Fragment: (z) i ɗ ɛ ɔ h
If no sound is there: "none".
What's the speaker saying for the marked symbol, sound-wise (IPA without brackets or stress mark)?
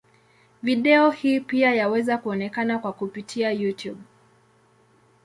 v